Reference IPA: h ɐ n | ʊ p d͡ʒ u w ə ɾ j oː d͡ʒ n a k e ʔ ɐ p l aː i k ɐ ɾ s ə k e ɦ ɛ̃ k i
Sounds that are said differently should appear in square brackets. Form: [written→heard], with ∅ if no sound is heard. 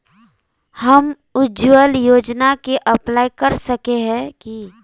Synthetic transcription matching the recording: h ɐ [n→m] | ʊ [p→∅] d͡ʒ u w ə [ɾ→l] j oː d͡ʒ n a k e ʔ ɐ p l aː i k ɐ ɾ s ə k e ɦ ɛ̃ k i